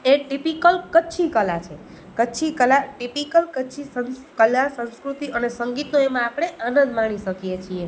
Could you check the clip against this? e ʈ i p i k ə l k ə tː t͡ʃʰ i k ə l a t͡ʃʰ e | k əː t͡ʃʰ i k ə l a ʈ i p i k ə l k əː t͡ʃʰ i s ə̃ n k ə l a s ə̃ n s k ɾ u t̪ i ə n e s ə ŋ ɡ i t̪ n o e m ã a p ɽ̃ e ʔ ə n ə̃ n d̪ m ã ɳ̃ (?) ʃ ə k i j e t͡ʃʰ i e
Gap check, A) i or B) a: A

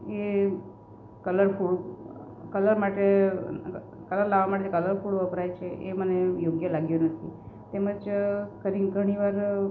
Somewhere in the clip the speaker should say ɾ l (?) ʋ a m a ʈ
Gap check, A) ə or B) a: B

